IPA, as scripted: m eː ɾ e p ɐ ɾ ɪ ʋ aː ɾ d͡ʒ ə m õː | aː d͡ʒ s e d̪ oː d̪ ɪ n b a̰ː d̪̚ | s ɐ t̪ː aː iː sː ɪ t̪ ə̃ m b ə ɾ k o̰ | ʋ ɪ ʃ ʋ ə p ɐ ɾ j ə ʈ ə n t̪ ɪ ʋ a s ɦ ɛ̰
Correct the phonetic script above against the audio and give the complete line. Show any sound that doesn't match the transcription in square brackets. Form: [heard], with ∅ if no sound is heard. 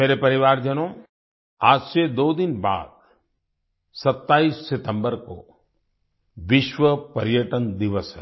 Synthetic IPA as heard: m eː ɾ e p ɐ ɾ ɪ ʋ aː ɾ d͡ʒ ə [n] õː | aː d͡ʒ s e d̪ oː d̪ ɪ n b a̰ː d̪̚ | s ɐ t̪ː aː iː sː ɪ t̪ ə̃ m b ə ɾ k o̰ | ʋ ɪ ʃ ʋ ə p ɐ ɾ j ə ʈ ə n [d̪] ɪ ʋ [ə] s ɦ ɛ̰